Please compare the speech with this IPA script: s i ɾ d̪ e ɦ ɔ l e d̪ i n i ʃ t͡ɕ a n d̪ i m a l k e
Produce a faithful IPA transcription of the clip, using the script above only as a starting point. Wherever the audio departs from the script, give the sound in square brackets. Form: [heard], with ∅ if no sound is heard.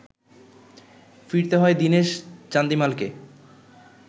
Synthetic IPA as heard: [f] i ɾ [t̪] e ɦ ɔ [∅] e d̪ i n [e] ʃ t͡ɕ a n d̪ i m a l k e